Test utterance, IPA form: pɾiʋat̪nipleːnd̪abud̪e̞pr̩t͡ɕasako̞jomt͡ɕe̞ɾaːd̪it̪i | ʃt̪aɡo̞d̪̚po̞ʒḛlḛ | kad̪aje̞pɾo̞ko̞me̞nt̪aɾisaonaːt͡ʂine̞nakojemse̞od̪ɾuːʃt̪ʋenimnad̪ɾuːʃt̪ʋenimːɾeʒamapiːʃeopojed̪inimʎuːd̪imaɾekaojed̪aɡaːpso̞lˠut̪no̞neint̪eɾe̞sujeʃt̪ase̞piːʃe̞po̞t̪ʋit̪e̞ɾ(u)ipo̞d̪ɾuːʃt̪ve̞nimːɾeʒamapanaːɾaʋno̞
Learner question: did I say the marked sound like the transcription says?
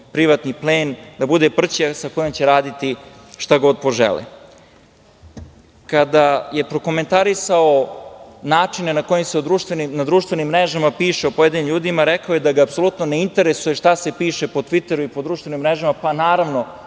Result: yes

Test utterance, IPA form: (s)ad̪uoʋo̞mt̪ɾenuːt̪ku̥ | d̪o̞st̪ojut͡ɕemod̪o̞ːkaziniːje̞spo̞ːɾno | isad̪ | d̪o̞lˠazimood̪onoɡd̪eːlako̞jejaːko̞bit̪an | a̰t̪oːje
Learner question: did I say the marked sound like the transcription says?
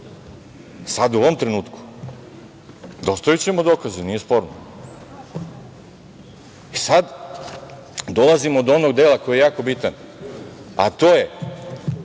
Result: yes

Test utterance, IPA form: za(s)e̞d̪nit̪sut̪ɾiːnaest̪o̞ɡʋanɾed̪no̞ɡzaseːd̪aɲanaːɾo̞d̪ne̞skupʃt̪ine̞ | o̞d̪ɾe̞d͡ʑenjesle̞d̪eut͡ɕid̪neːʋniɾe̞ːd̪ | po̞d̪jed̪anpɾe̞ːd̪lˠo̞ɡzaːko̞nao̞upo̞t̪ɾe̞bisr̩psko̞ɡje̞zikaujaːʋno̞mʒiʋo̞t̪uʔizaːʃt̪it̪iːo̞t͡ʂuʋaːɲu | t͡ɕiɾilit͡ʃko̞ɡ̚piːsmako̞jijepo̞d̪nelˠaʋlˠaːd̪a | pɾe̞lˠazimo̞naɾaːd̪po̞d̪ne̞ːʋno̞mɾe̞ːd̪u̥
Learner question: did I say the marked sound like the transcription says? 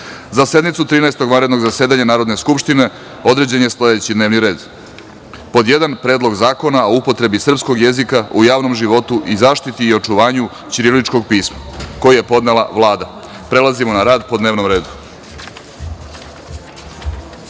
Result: yes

